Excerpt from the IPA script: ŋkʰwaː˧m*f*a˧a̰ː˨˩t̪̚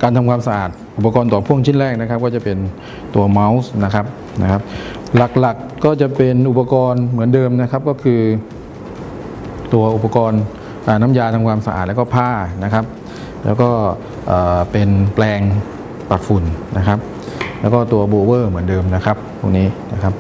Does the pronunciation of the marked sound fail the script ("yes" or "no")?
yes